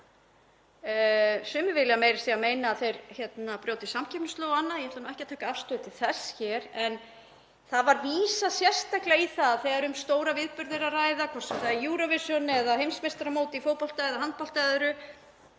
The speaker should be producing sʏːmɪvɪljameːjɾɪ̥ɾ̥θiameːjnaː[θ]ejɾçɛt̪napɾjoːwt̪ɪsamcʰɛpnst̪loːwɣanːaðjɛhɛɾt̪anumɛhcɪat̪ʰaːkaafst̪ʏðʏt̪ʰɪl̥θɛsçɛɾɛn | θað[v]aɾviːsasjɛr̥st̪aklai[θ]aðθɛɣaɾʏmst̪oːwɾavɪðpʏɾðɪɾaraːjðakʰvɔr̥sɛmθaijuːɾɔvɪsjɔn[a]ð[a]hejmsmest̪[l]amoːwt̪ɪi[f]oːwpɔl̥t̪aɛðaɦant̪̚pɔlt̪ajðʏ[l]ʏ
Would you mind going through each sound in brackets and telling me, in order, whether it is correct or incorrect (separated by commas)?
correct, correct, correct, incorrect, correct, incorrect, correct, incorrect